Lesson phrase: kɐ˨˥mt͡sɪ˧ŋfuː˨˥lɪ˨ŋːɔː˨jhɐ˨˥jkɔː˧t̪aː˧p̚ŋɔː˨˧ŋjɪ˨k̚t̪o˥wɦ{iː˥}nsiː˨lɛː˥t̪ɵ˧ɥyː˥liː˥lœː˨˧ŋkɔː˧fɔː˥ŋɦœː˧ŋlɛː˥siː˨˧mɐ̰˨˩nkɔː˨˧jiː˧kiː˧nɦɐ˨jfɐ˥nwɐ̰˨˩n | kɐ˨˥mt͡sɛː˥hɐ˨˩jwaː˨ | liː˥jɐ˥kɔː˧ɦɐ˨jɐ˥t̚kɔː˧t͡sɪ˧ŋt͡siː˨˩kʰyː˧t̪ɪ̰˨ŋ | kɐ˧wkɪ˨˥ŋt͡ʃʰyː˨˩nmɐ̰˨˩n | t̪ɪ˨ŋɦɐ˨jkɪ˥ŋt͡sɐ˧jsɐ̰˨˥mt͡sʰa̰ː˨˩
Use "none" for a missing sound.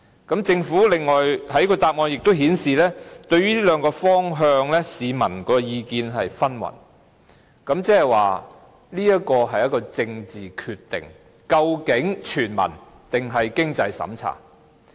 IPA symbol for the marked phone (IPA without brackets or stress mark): iː˨˥